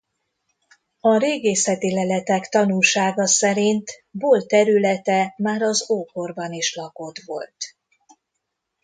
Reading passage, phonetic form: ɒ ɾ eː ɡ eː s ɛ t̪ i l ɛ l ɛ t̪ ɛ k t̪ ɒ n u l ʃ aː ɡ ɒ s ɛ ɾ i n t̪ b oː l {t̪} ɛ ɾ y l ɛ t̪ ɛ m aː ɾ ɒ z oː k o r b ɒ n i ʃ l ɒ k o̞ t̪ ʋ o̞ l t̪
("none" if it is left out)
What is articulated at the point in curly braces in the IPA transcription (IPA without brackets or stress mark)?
t̪